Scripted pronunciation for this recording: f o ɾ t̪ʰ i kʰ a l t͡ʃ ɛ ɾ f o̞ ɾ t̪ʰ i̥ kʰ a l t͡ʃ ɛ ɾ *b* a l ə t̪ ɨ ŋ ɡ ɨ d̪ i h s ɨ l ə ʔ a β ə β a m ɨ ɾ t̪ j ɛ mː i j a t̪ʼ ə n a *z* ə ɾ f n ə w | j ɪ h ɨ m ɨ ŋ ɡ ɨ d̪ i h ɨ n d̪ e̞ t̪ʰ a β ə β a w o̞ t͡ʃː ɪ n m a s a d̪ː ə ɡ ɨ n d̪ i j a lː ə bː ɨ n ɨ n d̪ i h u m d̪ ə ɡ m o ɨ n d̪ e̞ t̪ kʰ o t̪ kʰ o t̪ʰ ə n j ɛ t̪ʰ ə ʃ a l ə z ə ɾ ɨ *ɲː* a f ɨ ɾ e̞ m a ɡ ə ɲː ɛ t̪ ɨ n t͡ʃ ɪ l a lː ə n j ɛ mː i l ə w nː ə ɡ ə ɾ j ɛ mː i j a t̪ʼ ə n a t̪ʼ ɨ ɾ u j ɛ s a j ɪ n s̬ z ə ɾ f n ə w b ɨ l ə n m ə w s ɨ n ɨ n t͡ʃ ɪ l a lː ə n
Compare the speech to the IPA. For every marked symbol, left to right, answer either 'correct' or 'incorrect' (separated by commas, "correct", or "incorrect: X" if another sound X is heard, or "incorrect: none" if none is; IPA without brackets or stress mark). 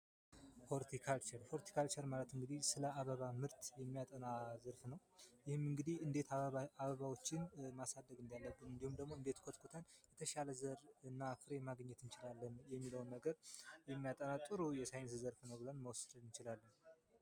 incorrect: m, correct, incorrect: nː